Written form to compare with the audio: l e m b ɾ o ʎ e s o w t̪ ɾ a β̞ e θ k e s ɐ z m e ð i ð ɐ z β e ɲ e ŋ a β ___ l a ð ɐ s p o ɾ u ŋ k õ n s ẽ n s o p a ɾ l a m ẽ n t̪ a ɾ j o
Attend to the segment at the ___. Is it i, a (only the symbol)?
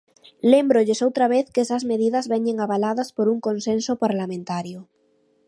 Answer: a